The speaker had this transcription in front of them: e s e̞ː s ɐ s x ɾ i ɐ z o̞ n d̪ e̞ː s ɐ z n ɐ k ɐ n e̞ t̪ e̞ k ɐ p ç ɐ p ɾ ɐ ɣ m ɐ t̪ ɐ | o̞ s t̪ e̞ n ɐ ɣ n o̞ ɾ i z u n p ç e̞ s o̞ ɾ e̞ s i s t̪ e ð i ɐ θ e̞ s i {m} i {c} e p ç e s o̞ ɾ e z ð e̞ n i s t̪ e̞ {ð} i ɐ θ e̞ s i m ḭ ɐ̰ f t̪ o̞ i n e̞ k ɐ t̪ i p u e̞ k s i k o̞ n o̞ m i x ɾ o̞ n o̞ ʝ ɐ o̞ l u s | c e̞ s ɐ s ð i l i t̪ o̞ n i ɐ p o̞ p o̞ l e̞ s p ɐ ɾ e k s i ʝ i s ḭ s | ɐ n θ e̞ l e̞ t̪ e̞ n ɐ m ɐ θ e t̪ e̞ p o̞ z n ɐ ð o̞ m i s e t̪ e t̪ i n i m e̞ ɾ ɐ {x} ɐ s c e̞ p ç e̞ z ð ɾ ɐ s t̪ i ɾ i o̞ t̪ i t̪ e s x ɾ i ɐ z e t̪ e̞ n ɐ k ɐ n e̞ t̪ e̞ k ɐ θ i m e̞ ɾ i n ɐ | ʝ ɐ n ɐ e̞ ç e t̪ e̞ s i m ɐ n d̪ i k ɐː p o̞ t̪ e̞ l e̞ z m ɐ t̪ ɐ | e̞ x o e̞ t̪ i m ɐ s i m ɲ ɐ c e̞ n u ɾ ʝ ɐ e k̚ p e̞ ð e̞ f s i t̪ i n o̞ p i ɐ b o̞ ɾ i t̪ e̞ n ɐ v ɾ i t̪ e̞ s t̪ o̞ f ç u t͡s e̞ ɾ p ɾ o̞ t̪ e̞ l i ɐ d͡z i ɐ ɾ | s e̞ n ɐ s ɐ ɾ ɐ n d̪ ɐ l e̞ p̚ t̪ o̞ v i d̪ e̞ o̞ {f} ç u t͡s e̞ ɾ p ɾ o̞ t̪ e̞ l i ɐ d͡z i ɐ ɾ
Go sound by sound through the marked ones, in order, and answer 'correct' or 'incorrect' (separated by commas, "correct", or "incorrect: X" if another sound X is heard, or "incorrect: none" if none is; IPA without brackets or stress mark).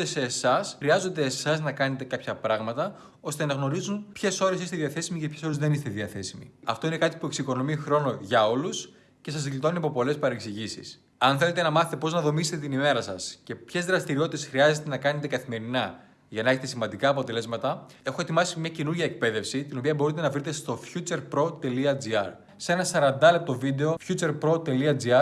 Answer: correct, correct, correct, incorrect: s, correct